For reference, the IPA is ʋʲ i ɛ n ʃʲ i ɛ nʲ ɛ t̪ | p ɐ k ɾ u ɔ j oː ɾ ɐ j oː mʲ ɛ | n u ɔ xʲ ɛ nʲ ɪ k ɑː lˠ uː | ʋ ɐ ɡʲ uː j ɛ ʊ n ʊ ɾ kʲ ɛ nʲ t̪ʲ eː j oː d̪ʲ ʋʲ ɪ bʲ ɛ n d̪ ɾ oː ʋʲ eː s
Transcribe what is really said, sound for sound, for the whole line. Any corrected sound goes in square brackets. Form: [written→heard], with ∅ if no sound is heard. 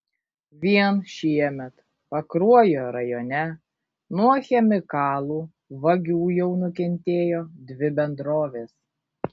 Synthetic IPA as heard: ʋʲ i ɛ n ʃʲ i ɛ [nʲ→mʲ] ɛ t̪ | p ɐ k ɾ u ɔ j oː ɾ ɐ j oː [mʲ→nʲ] ɛ | n u ɔ xʲ ɛ [nʲ→mʲ] ɪ k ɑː lˠ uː | ʋ ɐ ɡʲ uː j ɛ ʊ n ʊ [ɾ→∅] kʲ ɛ nʲ t̪ʲ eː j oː d̪ʲ ʋʲ ɪ bʲ ɛ n d̪ ɾ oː ʋʲ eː s